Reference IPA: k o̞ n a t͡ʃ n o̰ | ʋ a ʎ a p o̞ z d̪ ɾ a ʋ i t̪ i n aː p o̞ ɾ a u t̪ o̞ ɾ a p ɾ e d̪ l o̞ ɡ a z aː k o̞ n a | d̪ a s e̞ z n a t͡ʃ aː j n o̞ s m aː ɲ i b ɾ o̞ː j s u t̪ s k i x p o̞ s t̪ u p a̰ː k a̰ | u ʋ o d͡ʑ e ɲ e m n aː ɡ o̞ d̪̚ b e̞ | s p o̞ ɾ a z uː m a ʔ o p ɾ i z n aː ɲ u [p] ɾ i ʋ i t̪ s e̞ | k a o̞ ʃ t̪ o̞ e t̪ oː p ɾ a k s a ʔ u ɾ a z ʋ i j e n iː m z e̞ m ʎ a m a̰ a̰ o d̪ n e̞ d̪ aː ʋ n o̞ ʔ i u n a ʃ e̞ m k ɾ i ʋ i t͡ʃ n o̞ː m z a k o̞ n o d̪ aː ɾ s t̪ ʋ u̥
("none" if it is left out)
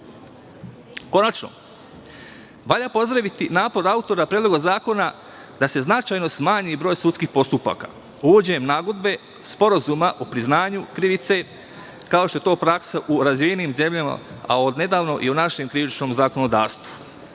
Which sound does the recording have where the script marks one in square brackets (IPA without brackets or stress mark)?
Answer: k